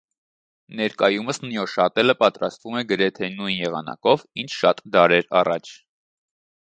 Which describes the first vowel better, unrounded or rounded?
unrounded